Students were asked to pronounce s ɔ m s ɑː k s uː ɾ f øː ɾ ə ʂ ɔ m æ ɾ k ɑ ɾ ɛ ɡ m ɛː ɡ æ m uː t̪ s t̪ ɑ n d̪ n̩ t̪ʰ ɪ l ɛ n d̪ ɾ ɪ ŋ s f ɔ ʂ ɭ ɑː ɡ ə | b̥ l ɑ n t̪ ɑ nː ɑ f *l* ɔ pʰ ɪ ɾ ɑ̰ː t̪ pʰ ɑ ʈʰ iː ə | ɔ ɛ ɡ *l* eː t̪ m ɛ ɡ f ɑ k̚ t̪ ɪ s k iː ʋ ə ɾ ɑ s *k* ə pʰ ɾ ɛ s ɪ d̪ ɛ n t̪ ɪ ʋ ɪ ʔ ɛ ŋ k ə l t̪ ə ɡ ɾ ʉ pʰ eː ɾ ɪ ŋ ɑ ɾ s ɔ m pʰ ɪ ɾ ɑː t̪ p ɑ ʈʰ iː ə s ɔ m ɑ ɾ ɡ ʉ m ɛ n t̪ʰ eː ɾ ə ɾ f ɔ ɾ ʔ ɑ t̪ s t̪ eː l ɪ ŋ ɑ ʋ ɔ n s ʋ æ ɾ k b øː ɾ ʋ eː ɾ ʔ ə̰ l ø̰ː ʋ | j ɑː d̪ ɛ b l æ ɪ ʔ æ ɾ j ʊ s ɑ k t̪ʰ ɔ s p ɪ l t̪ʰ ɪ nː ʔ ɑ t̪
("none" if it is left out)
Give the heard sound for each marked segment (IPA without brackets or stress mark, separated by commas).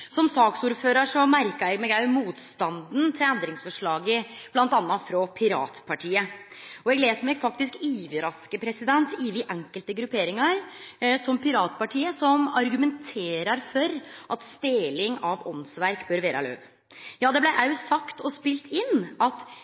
ɾ, l, k